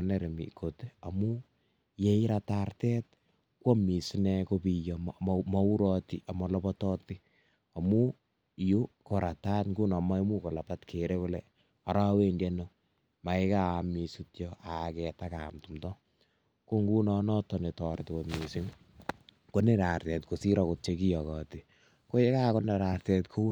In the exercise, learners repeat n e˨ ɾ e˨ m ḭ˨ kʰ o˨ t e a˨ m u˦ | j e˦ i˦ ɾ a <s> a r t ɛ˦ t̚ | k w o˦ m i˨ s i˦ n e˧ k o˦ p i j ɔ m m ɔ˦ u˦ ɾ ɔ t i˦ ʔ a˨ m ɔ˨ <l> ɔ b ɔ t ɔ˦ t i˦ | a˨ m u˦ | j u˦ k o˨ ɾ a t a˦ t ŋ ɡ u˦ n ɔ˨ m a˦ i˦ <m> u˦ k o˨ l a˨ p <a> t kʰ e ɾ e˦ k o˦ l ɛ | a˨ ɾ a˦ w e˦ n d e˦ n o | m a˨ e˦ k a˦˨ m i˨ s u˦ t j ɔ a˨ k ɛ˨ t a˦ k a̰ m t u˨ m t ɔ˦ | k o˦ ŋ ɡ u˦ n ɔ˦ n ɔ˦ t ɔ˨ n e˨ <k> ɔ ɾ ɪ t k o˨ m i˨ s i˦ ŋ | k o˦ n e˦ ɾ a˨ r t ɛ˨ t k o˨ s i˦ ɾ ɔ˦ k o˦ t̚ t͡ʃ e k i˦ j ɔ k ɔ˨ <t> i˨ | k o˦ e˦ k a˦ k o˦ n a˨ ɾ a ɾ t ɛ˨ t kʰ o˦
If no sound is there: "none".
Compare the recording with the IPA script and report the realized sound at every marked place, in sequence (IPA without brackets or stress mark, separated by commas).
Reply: t, l, m, a, t, t